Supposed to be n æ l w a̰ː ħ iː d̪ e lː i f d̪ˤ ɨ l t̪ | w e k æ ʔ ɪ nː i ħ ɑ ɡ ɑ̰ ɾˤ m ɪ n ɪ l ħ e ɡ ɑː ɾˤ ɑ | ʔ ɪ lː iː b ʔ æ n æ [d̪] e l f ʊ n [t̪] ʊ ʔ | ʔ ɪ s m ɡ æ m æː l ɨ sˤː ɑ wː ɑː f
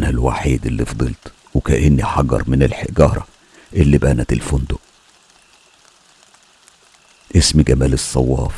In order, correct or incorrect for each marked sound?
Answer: incorrect, incorrect

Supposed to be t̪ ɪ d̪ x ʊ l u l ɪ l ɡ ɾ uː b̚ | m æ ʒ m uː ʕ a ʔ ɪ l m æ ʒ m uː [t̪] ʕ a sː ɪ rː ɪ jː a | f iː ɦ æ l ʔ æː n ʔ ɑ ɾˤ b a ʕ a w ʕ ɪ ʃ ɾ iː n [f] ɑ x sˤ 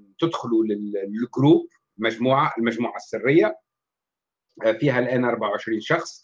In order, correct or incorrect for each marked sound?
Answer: incorrect, incorrect

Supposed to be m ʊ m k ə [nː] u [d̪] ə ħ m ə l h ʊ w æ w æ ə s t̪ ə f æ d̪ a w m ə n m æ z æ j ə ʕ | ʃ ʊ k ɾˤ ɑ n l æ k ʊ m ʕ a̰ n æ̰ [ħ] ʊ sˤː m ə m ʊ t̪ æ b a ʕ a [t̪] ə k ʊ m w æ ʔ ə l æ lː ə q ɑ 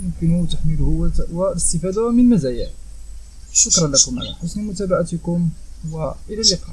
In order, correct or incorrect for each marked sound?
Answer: incorrect, incorrect, correct, correct

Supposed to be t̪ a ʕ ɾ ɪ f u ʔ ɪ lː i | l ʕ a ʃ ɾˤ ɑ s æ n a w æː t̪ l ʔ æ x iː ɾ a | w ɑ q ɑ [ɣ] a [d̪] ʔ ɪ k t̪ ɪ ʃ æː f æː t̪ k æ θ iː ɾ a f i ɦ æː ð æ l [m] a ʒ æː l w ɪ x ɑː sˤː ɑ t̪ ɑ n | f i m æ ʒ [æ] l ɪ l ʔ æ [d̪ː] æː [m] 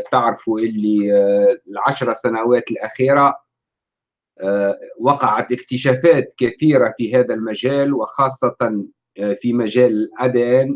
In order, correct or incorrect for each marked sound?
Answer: incorrect, incorrect, correct, incorrect, incorrect, incorrect

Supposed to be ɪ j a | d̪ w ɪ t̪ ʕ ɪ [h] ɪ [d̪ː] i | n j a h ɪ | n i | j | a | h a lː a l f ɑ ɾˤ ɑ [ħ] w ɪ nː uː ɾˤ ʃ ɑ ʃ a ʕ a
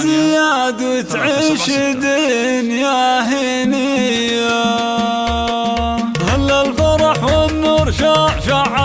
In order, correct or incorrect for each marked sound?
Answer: incorrect, incorrect, correct

